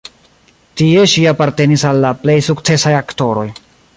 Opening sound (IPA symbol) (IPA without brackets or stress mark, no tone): t